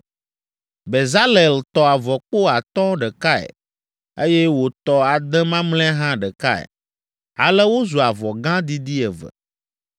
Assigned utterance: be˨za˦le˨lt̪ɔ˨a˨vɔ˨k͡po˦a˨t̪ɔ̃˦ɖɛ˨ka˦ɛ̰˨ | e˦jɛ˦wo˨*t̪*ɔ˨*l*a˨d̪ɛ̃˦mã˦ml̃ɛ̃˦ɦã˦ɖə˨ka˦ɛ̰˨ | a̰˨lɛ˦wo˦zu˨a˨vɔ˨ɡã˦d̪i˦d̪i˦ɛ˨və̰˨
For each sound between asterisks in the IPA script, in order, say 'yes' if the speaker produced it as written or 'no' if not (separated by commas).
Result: yes, no